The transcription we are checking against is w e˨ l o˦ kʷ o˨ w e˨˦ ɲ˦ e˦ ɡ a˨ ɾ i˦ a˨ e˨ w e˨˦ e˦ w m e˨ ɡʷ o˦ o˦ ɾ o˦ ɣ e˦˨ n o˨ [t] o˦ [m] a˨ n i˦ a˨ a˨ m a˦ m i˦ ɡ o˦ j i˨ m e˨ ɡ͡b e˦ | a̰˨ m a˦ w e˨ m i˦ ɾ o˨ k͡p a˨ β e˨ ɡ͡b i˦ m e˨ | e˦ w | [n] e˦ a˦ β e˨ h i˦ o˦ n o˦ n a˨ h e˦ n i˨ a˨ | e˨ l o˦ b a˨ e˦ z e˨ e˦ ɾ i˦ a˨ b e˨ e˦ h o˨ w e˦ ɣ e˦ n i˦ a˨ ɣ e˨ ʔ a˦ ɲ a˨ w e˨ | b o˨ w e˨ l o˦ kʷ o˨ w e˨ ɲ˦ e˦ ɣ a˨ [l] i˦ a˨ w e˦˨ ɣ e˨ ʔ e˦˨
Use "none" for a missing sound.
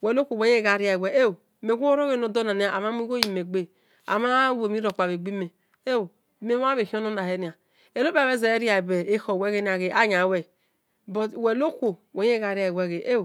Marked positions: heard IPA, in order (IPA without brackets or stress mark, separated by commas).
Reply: d, n, m, ɾ